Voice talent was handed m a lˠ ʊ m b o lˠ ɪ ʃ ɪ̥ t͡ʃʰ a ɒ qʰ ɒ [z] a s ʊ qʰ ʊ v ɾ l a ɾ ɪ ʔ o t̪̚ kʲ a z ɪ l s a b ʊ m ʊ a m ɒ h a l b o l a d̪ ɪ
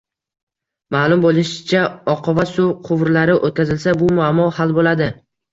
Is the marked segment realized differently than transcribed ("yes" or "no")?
yes